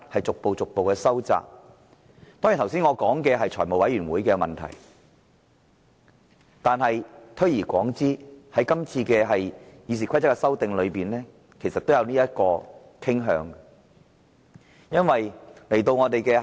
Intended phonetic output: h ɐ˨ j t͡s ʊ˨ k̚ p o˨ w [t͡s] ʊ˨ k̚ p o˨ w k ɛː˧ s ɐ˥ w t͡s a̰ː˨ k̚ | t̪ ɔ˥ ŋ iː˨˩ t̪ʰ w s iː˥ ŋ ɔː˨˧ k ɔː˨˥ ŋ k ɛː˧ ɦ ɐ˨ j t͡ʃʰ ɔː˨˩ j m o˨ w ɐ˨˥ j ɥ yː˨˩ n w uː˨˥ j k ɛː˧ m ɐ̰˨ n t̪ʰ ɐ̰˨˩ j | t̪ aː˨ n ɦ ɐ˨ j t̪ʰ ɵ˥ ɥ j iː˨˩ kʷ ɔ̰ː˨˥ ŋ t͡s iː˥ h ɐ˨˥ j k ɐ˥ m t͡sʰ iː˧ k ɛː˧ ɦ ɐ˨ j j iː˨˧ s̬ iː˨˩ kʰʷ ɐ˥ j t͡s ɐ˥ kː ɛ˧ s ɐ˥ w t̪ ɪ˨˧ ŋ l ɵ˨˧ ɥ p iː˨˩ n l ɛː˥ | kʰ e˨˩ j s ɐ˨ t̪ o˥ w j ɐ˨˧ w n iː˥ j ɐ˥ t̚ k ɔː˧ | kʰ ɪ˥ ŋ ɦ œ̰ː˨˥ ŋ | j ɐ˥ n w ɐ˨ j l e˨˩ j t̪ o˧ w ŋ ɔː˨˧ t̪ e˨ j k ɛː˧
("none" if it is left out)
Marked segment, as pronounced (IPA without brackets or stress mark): t͡s